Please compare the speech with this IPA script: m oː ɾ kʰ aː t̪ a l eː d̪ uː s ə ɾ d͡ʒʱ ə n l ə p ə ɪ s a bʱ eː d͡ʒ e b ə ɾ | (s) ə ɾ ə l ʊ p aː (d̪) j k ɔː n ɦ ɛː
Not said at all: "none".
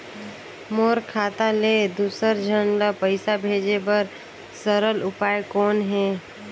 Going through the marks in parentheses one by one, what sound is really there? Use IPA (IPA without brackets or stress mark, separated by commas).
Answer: s, none